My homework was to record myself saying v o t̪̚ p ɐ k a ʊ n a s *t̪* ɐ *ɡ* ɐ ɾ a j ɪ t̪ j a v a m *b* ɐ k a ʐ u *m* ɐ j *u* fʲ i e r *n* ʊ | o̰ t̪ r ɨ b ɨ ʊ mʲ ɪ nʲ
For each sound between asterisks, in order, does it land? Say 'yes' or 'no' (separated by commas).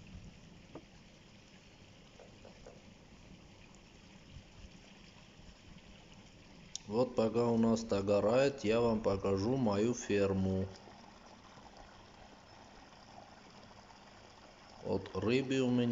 yes, yes, no, yes, yes, no